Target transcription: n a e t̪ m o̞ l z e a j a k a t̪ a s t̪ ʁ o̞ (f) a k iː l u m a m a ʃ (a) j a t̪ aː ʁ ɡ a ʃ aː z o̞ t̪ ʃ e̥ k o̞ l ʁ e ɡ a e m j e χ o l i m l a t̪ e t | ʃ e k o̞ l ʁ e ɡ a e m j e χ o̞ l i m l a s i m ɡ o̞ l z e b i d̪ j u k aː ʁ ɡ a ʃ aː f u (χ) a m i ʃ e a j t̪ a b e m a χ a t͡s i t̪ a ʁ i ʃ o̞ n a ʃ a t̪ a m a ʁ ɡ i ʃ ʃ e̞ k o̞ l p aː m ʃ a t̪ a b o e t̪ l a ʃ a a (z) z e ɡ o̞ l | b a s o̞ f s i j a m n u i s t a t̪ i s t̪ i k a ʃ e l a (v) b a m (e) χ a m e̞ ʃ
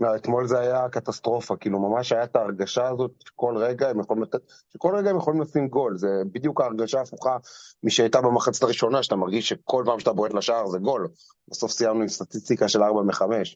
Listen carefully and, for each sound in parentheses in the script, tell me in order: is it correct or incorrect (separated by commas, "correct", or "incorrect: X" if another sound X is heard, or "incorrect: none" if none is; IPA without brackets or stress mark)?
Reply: correct, correct, correct, incorrect: ʁ, incorrect: ʁ, correct